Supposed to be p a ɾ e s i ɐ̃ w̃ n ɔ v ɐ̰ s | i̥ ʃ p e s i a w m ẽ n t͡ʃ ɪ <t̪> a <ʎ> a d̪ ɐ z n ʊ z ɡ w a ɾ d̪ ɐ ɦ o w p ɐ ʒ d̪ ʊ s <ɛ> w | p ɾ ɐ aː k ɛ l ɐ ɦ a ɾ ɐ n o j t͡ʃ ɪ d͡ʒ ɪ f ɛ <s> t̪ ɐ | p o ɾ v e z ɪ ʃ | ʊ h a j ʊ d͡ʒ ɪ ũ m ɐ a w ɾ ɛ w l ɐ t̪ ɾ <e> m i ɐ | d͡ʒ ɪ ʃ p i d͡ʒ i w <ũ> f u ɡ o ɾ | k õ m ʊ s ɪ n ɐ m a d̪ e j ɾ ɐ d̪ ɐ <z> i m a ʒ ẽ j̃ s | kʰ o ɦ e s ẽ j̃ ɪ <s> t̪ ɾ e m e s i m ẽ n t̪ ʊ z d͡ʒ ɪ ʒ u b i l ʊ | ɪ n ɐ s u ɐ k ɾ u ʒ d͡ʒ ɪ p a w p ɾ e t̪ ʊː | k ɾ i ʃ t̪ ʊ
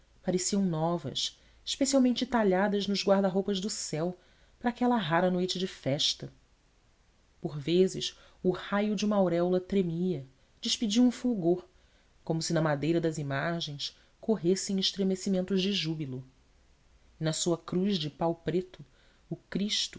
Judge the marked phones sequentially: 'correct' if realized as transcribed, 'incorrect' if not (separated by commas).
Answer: correct, correct, correct, incorrect, correct, correct, correct, incorrect